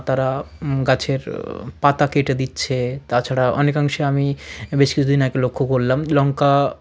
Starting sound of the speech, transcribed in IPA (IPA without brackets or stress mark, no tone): t̪